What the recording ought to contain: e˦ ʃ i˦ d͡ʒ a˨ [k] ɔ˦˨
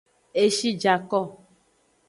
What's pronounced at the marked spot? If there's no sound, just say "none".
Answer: k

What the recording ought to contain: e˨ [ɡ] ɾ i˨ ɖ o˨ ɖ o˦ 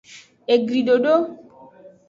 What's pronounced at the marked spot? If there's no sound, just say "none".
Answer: ɡ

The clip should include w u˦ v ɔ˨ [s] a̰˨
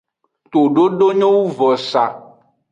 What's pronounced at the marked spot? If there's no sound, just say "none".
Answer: s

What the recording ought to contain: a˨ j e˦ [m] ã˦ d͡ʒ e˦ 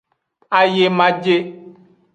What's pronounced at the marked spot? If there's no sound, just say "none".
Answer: m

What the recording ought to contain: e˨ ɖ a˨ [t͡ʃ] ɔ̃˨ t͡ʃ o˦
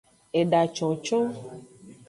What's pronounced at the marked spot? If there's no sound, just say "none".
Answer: t͡ʃ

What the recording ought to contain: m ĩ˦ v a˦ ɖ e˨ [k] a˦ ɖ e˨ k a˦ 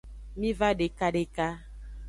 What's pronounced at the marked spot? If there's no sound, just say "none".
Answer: k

